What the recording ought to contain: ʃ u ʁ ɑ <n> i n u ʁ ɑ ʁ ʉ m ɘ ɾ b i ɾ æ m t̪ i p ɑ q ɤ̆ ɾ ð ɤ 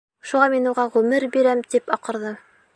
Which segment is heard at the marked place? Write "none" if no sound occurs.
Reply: m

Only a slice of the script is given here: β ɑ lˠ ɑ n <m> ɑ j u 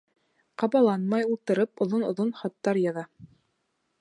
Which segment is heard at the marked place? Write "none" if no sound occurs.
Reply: m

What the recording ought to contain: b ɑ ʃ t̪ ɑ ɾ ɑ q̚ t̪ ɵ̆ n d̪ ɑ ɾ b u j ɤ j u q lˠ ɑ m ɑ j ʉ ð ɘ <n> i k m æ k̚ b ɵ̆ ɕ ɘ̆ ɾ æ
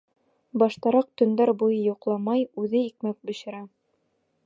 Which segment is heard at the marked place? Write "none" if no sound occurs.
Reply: none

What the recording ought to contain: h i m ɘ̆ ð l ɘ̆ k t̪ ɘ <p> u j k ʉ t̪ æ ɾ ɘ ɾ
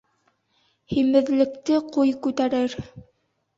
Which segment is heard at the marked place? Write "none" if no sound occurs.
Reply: q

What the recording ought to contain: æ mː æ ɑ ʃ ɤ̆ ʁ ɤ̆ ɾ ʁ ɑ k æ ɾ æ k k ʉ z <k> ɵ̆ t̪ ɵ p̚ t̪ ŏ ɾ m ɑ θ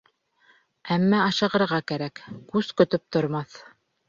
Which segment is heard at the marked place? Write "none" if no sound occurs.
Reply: k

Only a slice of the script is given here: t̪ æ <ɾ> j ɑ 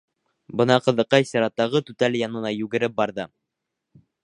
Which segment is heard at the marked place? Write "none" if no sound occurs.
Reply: l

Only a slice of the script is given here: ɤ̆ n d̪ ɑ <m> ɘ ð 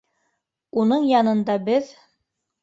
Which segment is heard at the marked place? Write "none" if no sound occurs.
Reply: b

